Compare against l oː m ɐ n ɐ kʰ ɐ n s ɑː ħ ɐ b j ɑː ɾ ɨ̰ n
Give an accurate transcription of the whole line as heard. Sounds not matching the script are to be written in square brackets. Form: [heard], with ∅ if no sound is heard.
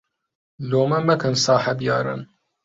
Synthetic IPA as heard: l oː m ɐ [m] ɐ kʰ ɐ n s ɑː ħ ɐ b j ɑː ɾ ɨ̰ n